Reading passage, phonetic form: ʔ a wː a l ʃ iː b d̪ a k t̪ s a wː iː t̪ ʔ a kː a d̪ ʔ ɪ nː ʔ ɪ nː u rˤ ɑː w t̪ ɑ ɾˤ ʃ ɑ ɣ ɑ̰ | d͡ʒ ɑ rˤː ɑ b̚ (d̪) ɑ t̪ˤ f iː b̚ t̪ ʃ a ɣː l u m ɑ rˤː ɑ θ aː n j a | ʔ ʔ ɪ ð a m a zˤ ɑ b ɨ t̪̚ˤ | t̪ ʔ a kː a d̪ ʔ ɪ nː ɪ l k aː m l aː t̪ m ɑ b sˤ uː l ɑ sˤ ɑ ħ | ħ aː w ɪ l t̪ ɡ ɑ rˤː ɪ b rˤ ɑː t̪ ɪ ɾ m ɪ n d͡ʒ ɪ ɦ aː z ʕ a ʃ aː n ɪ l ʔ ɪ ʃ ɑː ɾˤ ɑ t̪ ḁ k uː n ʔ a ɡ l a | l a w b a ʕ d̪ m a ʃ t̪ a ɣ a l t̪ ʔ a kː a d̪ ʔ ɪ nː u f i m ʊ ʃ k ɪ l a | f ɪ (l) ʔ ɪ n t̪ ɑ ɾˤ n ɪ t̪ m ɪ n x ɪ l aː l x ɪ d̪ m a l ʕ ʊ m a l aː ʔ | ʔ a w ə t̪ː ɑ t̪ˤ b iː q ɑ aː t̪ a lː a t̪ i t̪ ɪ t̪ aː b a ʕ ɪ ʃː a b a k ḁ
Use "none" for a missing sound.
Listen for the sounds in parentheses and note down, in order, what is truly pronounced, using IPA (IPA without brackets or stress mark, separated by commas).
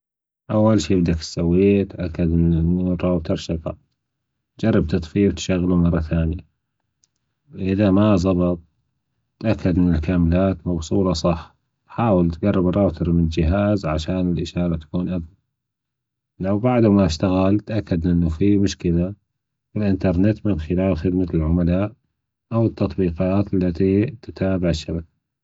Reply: t̪, l